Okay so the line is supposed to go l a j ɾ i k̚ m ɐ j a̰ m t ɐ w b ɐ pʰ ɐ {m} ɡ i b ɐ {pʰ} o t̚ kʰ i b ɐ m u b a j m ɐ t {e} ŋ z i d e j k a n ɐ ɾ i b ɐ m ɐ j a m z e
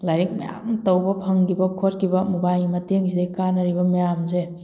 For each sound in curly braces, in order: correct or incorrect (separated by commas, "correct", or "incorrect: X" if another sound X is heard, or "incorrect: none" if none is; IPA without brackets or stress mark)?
incorrect: ŋ, incorrect: kʰ, correct